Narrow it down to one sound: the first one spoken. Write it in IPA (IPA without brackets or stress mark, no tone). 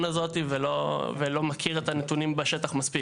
n